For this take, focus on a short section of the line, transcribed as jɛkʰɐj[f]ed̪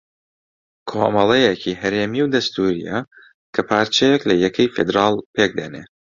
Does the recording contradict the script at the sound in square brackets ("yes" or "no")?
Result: no